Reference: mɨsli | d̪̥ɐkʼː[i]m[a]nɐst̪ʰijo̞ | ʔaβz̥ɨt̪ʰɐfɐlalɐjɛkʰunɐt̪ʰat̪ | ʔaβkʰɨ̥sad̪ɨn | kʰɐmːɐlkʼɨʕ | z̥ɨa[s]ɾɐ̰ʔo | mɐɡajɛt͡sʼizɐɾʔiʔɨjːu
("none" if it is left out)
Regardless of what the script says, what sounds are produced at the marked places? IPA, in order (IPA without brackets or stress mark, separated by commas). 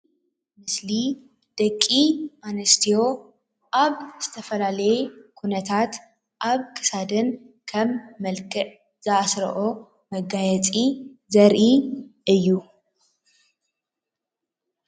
i, a, s